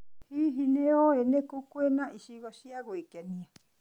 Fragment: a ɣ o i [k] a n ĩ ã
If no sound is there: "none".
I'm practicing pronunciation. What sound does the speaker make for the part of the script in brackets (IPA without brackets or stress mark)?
k